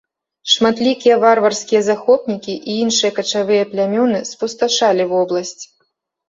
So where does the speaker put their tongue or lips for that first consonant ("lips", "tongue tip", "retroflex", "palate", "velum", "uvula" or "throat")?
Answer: retroflex